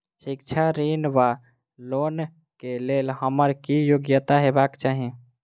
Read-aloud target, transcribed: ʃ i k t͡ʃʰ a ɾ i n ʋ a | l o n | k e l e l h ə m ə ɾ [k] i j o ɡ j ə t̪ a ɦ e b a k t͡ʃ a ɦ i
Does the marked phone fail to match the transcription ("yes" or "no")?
no